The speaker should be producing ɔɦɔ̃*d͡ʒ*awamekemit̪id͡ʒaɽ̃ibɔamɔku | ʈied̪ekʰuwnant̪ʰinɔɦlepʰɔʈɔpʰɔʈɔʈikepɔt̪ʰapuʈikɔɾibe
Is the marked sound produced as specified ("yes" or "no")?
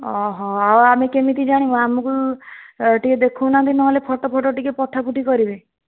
no